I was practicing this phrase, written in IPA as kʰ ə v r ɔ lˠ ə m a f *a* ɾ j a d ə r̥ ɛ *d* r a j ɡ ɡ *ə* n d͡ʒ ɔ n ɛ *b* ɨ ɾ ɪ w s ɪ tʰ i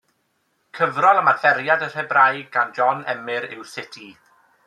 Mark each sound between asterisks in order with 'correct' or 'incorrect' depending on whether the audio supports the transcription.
incorrect, incorrect, incorrect, incorrect

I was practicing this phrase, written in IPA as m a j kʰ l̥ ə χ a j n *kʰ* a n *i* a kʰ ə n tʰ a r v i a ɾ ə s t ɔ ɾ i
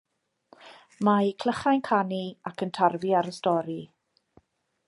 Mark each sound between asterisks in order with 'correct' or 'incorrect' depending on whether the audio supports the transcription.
correct, correct

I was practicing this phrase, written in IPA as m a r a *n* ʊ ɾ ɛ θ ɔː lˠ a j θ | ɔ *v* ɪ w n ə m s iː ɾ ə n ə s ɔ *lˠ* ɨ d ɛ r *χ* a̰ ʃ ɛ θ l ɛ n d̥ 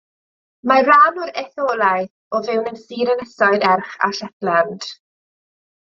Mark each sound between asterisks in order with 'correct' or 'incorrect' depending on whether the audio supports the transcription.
correct, correct, incorrect, correct

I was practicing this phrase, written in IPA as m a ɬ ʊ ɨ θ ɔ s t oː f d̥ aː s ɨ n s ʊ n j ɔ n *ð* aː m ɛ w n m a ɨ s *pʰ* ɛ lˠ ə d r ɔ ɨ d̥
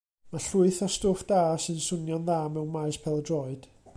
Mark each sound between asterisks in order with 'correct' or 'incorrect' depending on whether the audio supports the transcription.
correct, correct

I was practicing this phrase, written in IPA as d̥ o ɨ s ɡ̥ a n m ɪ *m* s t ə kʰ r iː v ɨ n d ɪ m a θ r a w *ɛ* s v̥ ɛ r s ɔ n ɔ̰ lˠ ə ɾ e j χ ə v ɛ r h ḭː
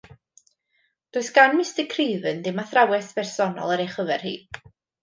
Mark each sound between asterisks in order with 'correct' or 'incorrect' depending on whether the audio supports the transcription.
incorrect, correct

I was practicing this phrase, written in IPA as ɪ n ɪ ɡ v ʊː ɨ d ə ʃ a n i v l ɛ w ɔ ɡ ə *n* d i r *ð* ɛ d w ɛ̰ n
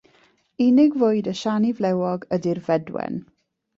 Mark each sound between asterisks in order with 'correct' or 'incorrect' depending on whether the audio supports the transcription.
incorrect, incorrect

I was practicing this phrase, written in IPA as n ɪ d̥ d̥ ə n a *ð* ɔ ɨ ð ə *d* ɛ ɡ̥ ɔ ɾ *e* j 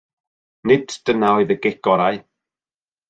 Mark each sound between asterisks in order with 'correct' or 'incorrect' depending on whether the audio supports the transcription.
incorrect, incorrect, incorrect

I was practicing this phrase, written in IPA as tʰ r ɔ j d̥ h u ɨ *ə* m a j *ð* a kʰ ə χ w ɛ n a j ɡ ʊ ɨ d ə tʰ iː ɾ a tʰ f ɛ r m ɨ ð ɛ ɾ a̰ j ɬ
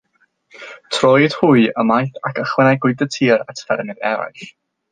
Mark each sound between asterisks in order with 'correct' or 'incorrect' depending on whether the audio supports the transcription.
correct, incorrect

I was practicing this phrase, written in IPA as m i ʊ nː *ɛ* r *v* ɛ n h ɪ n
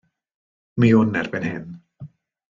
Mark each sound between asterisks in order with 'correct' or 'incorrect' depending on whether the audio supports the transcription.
correct, incorrect

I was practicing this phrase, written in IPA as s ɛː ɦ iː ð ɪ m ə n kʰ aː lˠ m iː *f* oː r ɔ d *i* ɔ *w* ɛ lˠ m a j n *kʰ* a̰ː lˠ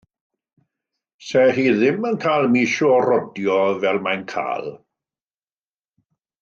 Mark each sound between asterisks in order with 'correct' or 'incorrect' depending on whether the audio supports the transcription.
incorrect, incorrect, incorrect, correct

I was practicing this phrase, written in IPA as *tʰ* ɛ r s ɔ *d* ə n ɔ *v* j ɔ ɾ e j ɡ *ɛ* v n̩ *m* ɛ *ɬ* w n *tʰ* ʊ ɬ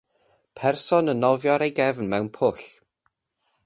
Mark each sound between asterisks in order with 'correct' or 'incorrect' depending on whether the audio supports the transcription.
incorrect, incorrect, correct, correct, correct, incorrect, incorrect

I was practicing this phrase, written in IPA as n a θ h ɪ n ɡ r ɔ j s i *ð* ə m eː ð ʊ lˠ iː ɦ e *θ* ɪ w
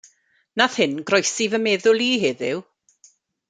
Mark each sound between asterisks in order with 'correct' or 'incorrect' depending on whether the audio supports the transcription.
incorrect, incorrect

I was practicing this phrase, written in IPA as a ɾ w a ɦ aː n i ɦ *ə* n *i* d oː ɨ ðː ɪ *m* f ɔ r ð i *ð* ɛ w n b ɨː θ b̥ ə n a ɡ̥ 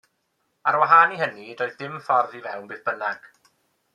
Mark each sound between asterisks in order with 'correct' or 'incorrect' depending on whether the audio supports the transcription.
correct, correct, correct, incorrect

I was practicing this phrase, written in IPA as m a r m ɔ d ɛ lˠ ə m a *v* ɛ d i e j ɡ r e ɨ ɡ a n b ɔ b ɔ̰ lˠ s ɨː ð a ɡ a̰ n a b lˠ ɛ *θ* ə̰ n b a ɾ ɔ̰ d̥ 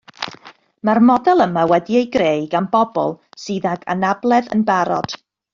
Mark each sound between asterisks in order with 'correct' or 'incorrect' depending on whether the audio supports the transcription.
incorrect, incorrect

